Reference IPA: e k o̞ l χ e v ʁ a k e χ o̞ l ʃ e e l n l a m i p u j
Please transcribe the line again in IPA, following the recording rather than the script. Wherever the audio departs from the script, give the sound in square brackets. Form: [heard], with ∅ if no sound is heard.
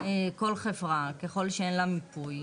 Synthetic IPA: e k o̞ l χ e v ʁ a k e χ o̞ l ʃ e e [∅] n l a m i p u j

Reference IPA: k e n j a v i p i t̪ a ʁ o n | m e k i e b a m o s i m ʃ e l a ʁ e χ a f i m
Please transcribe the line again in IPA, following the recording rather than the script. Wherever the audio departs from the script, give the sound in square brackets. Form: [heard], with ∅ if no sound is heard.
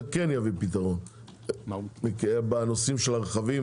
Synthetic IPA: k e n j a v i p i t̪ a ʁ o n | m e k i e b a [n] o s i m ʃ e l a ʁ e χ a [v] i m

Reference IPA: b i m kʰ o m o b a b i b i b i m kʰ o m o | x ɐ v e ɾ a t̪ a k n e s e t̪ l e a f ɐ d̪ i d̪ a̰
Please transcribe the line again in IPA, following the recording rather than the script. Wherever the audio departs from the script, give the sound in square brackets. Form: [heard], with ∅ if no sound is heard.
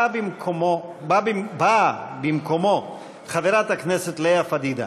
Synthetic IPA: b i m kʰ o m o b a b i b [a] b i m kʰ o m o | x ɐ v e ɾ a t̪ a k n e s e t̪ l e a f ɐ d̪ i d̪ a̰

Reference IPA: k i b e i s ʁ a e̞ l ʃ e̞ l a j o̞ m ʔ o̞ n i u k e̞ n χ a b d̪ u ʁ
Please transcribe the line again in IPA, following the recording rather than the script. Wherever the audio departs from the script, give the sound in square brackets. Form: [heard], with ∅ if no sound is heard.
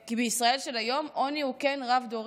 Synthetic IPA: k i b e i s ʁ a e̞ l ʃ e̞ l a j o̞ m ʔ o̞ n i u k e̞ n [ʁ] a [v] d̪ [o] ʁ

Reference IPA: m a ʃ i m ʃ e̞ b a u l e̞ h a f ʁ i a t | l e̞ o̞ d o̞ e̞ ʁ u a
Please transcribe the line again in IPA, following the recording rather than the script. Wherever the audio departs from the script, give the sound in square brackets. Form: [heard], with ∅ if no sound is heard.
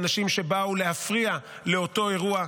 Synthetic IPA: [n] a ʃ i m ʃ e̞ b a u l e̞ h a f ʁ i a [∅] | l e̞ o̞ [t] o̞ e̞ ʁ u a

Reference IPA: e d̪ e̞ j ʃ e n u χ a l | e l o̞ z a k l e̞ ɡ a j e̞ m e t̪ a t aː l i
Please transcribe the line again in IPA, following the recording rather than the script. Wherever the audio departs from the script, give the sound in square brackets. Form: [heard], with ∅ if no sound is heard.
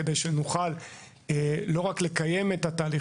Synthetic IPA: e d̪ e̞ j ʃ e n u χ a l | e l o̞ [ʁ] a k l e̞ [k] a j e̞ m e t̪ a t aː l i

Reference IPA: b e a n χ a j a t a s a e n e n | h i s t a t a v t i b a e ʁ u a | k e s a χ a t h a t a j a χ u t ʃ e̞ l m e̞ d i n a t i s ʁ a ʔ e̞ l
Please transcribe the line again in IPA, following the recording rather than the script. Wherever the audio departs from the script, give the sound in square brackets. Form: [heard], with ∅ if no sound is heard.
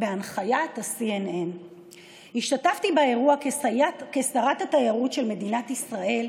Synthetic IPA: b e a n χ a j a t a s [i] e n e n | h i [ʃ] t a t a [f] t i b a e ʁ u a | k e s a [ʁ] a t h a t a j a [ʁ] u t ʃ e̞ l m e̞ d i n a t i s ʁ a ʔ e̞ l

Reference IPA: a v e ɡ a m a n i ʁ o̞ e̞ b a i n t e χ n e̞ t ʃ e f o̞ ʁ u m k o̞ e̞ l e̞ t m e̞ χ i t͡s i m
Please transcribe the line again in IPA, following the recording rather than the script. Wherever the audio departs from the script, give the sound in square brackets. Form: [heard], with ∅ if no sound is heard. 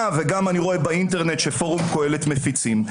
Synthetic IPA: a v e ɡ a m a n i ʁ o̞ e̞ b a i n t e [ʁ] n e̞ t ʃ e f o̞ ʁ u m k o̞ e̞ l e̞ t m e̞ [f] i t͡s i m

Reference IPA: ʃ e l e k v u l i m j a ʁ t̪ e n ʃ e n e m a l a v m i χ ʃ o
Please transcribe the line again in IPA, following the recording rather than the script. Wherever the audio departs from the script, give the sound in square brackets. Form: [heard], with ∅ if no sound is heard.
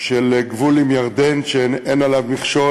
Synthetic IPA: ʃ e l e [ɡ] v u l i m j a ʁ [d̪] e n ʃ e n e [n] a l a v m i χ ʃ o

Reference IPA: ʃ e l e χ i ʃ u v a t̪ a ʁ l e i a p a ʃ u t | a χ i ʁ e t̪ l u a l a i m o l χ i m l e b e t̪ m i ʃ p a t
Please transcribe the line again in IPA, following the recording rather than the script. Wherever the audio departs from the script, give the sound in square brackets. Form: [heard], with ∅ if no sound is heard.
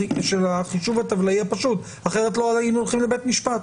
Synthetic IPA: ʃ e l [a] χ i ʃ u v a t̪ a [v] l [a] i a p a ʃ u t | a χ [e] ʁ e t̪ l [o] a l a i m o l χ i m l e b e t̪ m i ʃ p a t

